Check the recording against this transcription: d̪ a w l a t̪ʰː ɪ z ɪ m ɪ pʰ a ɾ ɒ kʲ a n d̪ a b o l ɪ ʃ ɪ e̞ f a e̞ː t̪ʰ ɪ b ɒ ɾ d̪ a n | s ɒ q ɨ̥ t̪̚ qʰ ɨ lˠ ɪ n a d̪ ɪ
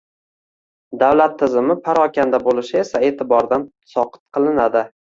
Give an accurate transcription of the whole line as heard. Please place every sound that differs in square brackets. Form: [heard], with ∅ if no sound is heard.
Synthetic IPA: d̪ a w l a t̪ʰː ɪ z ɪ m ɪ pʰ a ɾ ɒ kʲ a n d̪ a b o l ɪ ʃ ɪ e̞ [s] a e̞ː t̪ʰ ɪ b ɒ ɾ d̪ a n | s ɒ q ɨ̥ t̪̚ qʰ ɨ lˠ ɪ n a d̪ ɪ